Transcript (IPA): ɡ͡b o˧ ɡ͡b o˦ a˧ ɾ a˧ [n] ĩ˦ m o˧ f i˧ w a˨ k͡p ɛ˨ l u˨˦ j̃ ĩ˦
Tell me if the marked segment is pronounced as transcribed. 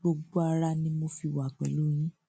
yes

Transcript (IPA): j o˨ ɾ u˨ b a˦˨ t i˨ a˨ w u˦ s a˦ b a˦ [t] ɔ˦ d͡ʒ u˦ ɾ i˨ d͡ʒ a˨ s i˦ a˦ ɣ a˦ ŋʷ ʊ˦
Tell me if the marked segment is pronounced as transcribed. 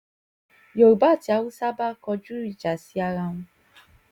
no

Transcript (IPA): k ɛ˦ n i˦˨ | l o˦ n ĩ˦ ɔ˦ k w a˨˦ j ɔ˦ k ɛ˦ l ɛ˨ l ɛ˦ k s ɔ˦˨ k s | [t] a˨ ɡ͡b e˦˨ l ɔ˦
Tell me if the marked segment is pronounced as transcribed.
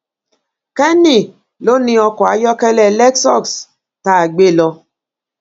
yes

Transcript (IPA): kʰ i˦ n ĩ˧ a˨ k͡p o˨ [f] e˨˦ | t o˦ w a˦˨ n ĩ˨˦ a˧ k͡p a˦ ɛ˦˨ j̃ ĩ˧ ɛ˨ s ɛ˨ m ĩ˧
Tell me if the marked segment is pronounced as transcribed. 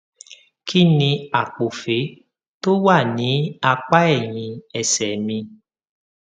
yes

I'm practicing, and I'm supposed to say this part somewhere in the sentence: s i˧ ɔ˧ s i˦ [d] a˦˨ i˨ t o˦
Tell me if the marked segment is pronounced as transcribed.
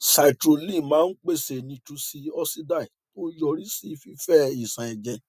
yes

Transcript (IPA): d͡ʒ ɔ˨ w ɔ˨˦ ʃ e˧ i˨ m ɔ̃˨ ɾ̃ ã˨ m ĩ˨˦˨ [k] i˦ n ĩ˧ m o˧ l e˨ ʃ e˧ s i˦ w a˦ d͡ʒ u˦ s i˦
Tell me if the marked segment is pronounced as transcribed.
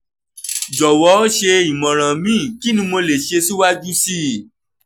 yes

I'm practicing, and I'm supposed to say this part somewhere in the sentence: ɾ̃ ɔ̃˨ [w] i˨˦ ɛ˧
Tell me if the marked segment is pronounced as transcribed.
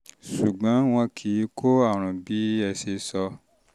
no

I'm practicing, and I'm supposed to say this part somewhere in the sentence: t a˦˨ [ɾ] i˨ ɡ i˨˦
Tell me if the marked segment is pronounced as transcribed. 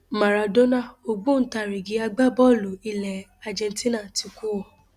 yes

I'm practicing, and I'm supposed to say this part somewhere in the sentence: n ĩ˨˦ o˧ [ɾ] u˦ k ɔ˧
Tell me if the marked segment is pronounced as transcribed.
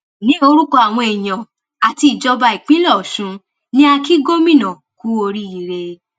yes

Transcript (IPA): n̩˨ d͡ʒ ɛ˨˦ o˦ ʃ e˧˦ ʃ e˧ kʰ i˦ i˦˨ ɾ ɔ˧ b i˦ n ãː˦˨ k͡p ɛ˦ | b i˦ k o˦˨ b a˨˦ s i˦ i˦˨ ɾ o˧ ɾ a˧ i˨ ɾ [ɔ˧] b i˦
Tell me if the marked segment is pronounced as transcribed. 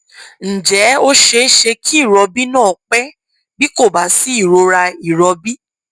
yes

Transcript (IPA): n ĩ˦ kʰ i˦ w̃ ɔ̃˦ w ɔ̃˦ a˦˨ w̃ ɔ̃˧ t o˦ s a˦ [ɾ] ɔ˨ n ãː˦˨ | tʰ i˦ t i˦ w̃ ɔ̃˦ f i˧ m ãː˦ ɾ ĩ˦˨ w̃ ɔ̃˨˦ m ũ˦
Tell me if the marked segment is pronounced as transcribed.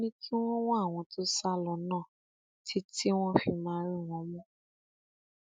no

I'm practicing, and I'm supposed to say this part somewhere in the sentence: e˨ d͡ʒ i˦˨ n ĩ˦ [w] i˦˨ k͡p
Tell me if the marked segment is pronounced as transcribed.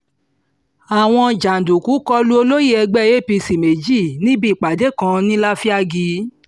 no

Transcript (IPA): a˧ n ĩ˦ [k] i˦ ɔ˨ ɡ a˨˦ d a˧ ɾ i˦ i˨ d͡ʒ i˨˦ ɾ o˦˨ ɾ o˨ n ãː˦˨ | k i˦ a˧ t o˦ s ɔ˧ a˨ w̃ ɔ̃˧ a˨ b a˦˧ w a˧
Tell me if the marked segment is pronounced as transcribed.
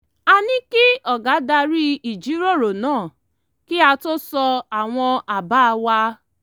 yes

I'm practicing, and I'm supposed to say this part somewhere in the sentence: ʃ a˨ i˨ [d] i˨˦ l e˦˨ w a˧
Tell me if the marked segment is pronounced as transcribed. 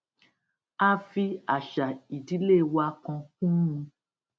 yes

